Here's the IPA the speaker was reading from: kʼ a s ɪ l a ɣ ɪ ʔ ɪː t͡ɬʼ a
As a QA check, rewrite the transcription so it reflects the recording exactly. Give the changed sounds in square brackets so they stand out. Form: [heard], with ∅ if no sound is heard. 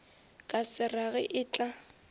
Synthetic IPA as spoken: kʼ a s ɪ [r] a ɣ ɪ ʔ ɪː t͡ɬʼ a